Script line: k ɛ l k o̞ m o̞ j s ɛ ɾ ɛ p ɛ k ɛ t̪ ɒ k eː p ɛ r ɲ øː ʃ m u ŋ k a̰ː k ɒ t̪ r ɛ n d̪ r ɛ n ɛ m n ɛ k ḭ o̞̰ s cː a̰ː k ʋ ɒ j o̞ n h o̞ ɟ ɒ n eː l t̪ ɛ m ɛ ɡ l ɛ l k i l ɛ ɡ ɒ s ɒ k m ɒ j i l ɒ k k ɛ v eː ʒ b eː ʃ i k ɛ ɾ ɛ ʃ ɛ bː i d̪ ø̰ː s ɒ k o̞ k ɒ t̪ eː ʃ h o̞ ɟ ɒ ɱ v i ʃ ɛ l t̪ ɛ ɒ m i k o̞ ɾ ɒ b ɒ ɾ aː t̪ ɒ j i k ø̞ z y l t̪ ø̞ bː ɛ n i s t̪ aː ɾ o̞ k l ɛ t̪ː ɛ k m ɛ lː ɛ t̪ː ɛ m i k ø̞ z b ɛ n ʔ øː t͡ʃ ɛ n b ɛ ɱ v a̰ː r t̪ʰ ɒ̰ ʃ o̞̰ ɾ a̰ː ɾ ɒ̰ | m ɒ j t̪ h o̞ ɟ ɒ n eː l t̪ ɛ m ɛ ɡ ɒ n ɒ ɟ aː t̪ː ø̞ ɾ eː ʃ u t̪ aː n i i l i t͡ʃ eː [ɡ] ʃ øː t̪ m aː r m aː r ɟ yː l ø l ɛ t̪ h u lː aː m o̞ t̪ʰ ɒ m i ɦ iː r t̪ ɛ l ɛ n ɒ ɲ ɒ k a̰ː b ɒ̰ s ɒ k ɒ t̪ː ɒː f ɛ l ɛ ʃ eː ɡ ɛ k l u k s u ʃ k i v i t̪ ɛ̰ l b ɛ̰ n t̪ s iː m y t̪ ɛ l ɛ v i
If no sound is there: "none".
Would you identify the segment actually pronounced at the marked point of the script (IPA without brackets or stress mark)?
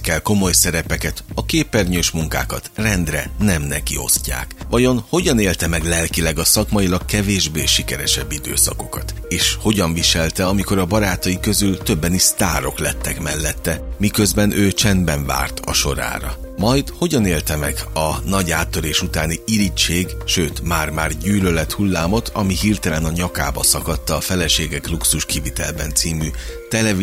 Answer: ɡ